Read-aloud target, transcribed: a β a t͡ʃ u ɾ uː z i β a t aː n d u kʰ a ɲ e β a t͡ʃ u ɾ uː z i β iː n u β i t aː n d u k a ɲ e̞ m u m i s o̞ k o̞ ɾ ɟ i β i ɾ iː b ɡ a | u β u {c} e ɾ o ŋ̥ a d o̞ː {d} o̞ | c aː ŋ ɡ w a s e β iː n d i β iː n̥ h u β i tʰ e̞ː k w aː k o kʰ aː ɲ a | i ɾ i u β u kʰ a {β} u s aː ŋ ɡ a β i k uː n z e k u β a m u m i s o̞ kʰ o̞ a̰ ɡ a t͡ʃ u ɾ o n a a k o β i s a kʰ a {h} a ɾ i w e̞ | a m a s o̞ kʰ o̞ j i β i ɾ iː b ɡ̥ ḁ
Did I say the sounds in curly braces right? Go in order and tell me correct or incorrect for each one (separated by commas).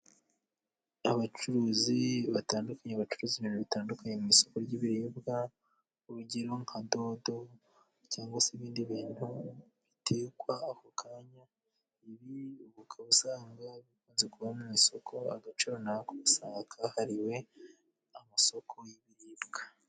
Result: incorrect, correct, correct, correct